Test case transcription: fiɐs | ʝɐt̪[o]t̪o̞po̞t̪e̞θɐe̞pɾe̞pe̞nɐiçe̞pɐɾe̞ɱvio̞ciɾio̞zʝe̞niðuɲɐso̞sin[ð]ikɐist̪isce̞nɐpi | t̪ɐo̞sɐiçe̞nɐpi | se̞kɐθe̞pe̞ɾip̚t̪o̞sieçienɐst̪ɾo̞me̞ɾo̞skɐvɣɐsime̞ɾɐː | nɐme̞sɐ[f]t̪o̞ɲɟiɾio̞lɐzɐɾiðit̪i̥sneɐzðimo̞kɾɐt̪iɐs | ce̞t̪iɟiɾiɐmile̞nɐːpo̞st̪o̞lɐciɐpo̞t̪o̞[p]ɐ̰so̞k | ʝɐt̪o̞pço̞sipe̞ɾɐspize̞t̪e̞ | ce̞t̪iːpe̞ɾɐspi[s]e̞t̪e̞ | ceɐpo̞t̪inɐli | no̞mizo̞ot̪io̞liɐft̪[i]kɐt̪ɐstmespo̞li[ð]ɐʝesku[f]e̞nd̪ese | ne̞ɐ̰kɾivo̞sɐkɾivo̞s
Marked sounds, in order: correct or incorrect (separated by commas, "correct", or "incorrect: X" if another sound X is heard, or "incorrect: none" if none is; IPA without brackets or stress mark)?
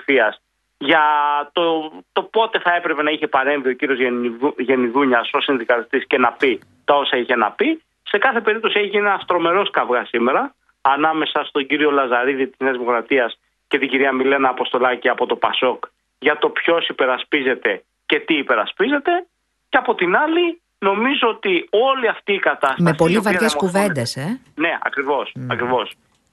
correct, correct, incorrect: s, correct, incorrect: z, incorrect: iː, incorrect: v, incorrect: v